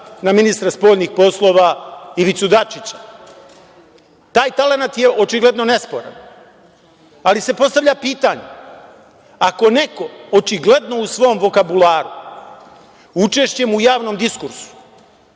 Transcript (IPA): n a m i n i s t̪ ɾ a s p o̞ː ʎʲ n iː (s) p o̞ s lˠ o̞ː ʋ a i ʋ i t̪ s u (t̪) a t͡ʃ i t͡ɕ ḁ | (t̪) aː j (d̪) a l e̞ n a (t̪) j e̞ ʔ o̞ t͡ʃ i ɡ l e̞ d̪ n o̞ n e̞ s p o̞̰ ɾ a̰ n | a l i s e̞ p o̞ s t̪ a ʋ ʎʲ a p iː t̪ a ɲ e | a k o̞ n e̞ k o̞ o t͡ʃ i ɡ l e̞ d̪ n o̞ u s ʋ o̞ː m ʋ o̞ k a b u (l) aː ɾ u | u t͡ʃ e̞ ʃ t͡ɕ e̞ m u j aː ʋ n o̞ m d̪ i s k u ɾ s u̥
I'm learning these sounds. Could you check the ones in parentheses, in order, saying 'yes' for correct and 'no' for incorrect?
no, no, yes, no, yes, yes

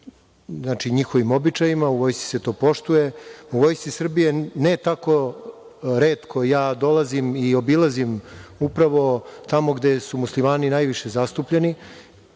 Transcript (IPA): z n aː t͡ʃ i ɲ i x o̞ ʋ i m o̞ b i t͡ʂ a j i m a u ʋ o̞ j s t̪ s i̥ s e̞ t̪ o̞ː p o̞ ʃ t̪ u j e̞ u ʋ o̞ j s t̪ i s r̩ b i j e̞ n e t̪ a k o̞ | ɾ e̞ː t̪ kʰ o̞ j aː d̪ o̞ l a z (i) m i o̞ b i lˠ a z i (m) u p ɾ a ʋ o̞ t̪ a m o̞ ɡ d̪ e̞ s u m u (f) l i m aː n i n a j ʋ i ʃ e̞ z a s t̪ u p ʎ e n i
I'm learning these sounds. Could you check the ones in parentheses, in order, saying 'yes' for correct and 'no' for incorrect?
yes, yes, no

